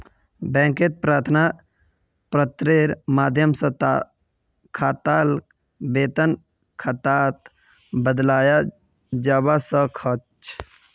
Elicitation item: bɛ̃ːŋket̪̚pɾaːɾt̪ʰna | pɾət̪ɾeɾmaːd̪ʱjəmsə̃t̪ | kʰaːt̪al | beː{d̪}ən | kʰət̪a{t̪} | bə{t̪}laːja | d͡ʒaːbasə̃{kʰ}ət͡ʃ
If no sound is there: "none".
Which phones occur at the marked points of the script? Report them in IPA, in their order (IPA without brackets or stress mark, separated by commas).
t̪, t̪, d̪, kʰ